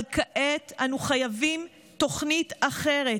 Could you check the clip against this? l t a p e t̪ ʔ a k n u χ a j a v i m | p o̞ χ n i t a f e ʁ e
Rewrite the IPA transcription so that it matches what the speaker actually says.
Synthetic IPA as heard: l k a ʔ e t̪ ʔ a n u χ a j a v i m | t o̞ χ n i t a χ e ʁ e